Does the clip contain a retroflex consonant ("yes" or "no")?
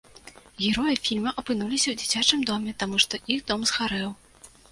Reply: yes